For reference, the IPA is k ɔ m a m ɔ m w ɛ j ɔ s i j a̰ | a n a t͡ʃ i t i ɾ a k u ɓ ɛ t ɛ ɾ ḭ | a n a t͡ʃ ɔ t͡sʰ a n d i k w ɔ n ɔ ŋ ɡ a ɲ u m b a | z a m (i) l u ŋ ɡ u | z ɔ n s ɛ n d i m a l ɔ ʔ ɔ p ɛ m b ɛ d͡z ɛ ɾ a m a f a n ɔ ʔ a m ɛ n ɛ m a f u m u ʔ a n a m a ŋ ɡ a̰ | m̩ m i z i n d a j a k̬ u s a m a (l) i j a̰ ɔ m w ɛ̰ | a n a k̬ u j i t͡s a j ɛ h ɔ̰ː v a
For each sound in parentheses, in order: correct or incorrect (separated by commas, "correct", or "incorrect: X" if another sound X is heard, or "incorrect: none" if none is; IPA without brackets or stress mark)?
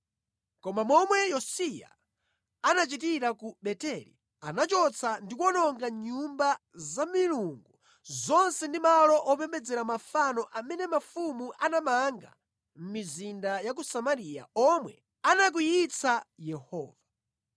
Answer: correct, incorrect: ɾ